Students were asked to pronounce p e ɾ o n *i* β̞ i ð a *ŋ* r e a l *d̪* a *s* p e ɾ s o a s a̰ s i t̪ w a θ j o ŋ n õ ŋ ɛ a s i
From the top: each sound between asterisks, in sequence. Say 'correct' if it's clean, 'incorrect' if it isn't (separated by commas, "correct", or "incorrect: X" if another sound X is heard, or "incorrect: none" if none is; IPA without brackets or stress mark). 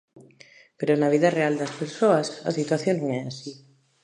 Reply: incorrect: a, incorrect: none, correct, correct